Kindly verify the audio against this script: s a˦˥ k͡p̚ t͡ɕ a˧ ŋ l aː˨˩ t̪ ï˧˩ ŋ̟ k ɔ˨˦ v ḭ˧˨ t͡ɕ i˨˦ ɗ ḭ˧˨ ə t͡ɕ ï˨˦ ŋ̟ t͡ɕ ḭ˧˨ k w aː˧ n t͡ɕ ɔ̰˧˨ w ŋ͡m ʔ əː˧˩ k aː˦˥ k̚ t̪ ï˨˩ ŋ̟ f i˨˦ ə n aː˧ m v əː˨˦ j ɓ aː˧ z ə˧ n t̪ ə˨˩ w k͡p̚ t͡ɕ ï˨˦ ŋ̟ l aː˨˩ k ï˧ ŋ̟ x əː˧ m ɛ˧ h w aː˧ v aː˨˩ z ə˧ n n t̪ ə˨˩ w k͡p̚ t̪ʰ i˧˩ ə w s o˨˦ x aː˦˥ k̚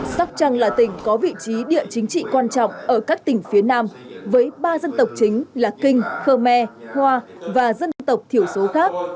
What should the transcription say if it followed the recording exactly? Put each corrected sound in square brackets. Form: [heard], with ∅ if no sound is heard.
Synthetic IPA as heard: s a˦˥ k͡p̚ t͡ɕ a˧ ŋ l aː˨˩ t̪ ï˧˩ ŋ̟ k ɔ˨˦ v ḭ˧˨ t͡ɕ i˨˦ ɗ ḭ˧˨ ə t͡ɕ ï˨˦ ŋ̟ t͡ɕ ḭ˧˨ k w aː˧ n t͡ɕ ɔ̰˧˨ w ŋ͡m ʔ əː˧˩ k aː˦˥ k̚ t̪ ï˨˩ ŋ̟ f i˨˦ ə n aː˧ m v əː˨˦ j ɓ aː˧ z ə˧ n t̪ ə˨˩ w k͡p̚ t͡ɕ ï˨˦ ŋ̟ l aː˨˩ k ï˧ ŋ̟ x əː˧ m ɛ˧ h w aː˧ v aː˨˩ z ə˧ n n t̪ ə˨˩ w k͡p̚ t̪ʰ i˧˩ ə w s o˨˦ x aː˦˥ k̚